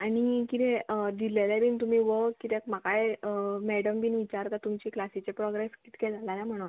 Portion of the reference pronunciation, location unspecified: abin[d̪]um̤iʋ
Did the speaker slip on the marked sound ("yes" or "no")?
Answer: yes